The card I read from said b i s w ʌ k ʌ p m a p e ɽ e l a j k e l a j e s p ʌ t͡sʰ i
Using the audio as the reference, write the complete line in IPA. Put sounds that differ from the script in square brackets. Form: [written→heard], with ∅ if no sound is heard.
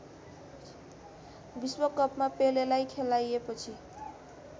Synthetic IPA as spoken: b i s w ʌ k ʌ p m a p e [ɽ→l] e l a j [k→kʰ] e l a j e [s→∅] p ʌ t͡sʰ i